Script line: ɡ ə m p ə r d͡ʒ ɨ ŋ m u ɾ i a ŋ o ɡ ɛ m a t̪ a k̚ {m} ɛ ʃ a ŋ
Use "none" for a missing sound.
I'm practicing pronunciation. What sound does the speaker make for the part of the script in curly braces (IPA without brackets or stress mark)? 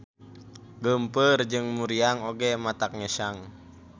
ŋ